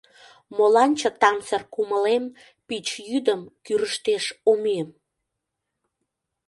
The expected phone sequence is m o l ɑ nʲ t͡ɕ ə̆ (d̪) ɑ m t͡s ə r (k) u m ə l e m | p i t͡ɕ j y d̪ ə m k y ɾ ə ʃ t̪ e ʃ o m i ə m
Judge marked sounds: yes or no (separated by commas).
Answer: no, yes